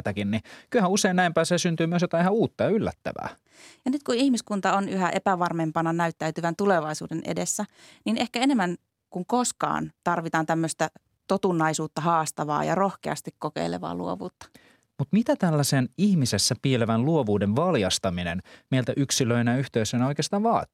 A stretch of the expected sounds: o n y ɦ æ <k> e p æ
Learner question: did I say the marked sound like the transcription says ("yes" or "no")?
no